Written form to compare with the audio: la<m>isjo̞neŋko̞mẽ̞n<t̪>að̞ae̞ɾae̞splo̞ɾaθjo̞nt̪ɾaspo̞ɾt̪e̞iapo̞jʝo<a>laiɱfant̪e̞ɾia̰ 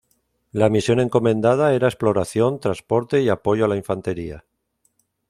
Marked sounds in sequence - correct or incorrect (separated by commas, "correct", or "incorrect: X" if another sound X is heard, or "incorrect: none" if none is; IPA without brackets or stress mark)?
correct, incorrect: d̪, correct